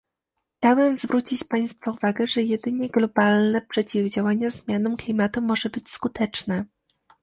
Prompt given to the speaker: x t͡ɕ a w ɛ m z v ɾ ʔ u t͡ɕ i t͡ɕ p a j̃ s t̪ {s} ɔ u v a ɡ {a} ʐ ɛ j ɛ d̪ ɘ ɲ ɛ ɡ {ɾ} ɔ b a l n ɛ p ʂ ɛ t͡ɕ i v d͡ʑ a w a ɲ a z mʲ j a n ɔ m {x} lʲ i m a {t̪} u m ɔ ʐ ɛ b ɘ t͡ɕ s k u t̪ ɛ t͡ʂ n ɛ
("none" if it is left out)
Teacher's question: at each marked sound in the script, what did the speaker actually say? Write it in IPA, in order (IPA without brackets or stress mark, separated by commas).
f, ɛ, l, k, t̪